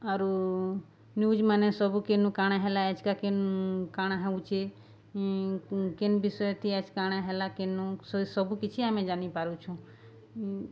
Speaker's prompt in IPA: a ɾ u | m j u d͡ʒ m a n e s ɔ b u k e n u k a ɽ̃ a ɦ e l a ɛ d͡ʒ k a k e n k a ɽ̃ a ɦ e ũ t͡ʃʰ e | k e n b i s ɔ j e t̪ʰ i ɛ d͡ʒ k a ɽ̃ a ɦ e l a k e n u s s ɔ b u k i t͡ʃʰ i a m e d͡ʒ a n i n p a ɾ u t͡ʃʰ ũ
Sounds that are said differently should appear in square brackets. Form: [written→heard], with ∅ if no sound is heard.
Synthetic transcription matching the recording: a ɾ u | [m→n] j u d͡ʒ m a n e s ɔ b u k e n u k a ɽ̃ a ɦ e l a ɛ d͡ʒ k a k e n k a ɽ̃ a ɦ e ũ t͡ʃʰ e | k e n b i s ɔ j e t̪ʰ i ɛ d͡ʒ k a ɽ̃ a ɦ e l a k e n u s s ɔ b u k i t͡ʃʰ i a m e d͡ʒ a n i [n→∅] p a ɾ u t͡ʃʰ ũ